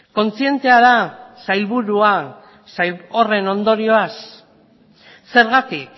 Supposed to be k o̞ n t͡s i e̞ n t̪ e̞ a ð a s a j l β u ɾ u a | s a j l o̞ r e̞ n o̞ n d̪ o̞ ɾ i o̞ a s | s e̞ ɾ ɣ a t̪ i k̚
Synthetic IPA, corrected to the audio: k o̞ n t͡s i e̞ n t̪ e̞ a ð a s a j l β u ɾ u a | s a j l o̞ r e̞ n o̞ n d̪ o̞ ɾ i o̞ a s | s e̞ ɾ ɣ a t̪ i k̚